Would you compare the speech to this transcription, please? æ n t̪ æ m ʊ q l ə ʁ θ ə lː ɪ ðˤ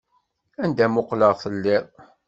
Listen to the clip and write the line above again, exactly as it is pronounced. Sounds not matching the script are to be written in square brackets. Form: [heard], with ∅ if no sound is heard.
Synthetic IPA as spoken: æ n [d̪] æ m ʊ q l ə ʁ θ ə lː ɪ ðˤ